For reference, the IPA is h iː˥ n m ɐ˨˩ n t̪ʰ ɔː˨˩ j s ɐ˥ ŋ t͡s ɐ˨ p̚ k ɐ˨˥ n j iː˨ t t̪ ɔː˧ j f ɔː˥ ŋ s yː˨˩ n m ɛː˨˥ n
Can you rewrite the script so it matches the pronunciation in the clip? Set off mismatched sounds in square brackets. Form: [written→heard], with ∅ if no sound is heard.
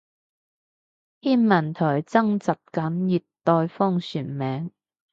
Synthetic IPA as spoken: h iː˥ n m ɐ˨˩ n t̪ʰ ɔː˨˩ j [s→t͡s] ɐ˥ ŋ t͡s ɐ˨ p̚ k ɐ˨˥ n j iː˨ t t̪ ɔː˧ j f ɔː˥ ŋ s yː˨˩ n m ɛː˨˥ [n→ŋ]